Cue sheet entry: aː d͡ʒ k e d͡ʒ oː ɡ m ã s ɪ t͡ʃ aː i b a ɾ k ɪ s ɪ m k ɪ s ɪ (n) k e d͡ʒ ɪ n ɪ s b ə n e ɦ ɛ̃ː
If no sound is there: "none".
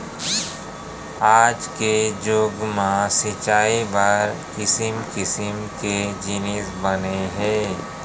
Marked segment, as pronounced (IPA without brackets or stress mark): m